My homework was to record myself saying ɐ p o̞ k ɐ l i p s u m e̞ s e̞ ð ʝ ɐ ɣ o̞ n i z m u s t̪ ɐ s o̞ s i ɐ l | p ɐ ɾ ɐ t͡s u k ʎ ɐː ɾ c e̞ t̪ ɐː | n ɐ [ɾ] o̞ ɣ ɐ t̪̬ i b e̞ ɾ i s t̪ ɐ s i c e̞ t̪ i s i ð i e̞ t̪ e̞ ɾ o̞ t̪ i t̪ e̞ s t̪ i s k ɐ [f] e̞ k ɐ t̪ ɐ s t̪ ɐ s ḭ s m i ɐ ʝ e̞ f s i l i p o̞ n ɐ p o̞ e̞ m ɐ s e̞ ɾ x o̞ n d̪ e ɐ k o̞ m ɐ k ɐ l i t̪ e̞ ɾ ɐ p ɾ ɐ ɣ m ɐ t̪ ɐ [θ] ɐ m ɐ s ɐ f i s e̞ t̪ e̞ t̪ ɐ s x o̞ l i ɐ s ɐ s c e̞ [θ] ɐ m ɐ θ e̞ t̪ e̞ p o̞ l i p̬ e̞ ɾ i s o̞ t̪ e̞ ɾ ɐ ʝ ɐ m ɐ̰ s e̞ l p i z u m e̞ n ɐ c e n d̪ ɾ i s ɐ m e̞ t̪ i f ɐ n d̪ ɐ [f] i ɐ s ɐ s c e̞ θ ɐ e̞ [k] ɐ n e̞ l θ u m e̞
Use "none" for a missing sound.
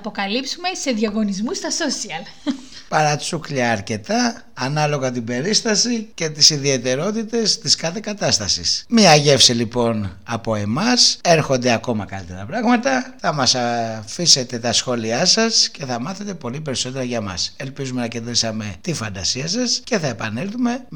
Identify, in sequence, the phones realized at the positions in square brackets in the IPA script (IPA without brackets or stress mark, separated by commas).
l, θ, θ, θ, s, p